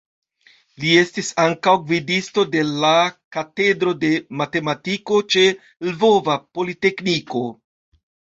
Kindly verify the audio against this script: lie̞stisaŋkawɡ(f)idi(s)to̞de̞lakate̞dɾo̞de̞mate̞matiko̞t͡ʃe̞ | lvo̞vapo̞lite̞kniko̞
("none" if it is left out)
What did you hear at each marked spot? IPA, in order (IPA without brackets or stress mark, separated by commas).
v, s